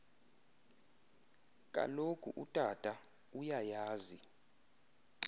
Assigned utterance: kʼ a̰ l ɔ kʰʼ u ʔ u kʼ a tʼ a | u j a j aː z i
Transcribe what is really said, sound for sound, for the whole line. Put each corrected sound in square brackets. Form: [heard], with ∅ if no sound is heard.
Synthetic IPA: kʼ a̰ l [o] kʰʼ u ʔ u [tʼ] a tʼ a | u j a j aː z i

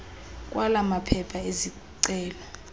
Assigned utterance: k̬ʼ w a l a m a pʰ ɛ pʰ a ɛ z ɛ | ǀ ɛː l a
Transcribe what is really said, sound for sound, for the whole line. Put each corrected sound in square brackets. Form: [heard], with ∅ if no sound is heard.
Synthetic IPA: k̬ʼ w a l a m a pʰ ɛ pʰ a [e] z [i] | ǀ ɛː l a

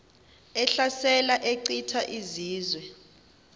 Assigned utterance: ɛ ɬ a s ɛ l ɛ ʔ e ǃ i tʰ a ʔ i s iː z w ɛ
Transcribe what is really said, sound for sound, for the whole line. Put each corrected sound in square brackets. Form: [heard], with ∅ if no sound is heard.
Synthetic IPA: ɛ ɬ a s ɛ l [a] ʔ e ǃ i tʰ a ʔ i [z] iː z w ɛ

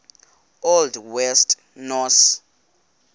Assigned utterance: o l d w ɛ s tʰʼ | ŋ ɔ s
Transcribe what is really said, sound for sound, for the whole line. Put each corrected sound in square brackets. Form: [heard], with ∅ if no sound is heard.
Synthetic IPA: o l d w ɛ s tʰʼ | [n] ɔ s

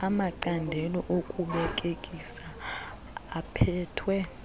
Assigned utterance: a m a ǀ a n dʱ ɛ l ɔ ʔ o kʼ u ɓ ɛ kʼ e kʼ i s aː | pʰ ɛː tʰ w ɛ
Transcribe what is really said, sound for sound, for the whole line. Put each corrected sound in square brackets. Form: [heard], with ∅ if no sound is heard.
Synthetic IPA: a m a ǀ a n dʱ ɛ l ɔ ʔ o kʼ u ɓ ɛ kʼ e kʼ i s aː | pʰ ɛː tʰ w ɛ

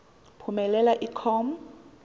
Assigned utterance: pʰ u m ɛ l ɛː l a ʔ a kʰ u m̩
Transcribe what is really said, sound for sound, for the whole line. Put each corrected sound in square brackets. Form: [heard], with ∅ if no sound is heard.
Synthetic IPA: pʰ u m ɛ l [ɛ] l a ʔ [i] kʰ [ɔ] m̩

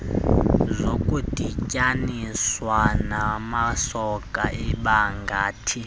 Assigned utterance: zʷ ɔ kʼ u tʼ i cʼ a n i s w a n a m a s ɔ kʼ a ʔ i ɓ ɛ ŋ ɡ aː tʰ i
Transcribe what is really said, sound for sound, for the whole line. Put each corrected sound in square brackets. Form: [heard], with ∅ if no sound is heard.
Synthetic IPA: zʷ [o] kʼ u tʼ i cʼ a n i s w a n a m a s ɔ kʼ a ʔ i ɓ [a] ŋ ɡ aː tʰ i

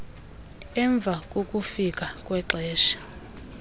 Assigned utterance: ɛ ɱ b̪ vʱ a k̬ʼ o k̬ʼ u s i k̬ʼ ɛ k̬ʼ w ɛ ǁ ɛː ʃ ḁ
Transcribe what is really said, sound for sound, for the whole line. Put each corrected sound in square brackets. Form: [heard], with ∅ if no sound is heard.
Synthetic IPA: ɛ ɱ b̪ vʱ a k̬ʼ o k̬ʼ u [f] i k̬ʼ [a] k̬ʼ w ɛ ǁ ɛː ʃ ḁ

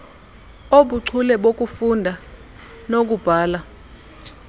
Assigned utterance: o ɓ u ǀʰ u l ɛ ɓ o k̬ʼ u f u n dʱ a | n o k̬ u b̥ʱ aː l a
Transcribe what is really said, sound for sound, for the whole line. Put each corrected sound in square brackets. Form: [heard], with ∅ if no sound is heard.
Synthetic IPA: o ɓ u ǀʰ u l ɛ ɓ o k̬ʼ u f u n dʱ a | n o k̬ u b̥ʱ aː l a

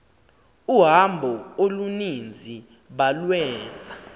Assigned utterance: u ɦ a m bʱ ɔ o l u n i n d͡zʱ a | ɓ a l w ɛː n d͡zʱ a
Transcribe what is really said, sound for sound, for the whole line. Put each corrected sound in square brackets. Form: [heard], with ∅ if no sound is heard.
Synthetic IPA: u ɦ a m bʱ ɔ o l u n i n d͡zʱ [i] | ɓ a l w ɛː n d͡zʱ a

